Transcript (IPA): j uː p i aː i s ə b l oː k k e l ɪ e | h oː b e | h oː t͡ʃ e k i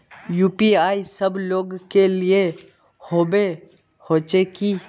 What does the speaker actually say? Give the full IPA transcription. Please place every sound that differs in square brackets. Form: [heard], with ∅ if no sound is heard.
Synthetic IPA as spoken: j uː p i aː i s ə b l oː [ɡ] k e l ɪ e | h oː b e | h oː t͡ʃ e k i